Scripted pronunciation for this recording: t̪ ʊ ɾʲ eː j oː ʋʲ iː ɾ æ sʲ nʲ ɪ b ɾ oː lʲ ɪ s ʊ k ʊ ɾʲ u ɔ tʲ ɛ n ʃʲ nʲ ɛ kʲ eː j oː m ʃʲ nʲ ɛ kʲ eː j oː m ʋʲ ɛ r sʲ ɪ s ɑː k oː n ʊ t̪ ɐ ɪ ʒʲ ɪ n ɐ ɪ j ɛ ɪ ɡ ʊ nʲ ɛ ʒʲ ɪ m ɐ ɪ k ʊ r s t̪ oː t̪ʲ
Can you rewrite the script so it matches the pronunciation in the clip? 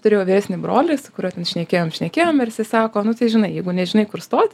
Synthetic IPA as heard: t̪ ʊ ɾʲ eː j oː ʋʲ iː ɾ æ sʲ nʲ ɪ b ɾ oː lʲ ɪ s ʊ k ʊ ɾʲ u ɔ tʲ ɛ n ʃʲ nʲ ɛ kʲ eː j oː m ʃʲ nʲ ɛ kʲ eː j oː m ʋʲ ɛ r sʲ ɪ s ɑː k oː n ʊ t̪ ɐ ɪ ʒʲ ɪ n ɐ ɪ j ɛ ɪ ɡ ʊ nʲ ɛ ʒʲ ɪ n ɐ ɪ k ʊ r s t̪ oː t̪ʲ